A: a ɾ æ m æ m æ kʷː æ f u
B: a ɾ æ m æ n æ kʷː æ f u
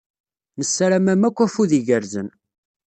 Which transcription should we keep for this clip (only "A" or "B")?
A